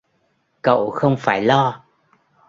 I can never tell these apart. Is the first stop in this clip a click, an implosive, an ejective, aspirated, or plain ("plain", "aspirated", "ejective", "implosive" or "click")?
plain